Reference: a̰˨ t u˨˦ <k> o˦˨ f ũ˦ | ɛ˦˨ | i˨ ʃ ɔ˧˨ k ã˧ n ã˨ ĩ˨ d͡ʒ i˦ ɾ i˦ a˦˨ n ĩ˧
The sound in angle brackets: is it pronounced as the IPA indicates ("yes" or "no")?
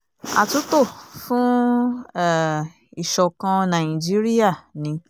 no